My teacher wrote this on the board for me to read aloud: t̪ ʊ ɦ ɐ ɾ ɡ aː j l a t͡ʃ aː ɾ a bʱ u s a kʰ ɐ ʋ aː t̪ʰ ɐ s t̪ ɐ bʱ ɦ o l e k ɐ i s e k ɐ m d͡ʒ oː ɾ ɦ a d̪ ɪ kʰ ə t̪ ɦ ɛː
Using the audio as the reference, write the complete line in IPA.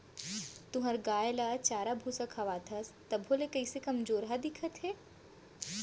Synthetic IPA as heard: t̪ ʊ ɦ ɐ ɾ ɡ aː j l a t͡ʃ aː ɾ a bʱ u s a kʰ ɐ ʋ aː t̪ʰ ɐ s t̪ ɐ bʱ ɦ o l e k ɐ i s e k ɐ m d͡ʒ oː ɾ ɦ a d̪ ɪ kʰ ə t̪ ɦ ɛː